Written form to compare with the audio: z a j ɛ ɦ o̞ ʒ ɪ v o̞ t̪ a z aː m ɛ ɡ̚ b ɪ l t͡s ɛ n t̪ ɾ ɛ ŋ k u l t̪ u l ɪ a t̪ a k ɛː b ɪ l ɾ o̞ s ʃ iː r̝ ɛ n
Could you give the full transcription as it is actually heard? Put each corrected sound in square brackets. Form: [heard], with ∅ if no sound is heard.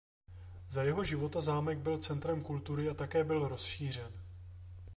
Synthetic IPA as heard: z a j ɛ ɦ o̞ ʒ ɪ v o̞ t̪ a z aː m ɛ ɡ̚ b ɪ l t͡s ɛ n t̪ ɾ ɛ [m] k u l t̪ u [ɾ] ɪ a t̪ a k ɛː b ɪ l ɾ o̞ s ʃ iː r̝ ɛ n